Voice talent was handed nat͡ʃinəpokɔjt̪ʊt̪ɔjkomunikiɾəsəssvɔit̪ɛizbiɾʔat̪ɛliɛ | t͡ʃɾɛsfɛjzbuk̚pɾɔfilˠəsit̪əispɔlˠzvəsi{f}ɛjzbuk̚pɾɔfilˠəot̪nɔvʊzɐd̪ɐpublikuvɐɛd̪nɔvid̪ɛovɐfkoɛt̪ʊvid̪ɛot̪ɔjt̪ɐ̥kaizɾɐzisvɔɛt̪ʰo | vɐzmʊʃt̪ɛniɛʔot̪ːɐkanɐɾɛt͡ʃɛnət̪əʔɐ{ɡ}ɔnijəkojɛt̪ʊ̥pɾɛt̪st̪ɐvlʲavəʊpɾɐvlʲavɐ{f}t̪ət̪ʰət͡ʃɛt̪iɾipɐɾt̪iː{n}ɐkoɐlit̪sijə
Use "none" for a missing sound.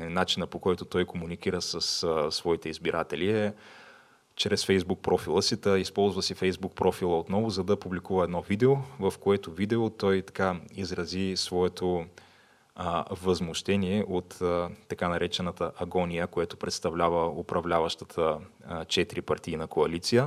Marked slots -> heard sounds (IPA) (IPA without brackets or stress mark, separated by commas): f, ɡ, ʃ, n